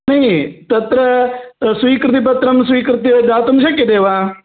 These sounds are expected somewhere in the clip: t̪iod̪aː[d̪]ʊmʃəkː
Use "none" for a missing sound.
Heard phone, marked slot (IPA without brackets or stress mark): t̪